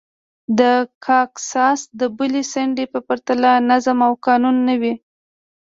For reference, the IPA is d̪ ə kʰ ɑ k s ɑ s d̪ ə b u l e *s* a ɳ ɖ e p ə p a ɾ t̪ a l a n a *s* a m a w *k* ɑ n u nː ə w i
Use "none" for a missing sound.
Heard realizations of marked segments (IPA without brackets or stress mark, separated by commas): s, z, k